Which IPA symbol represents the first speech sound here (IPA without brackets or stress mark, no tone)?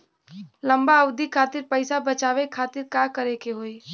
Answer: l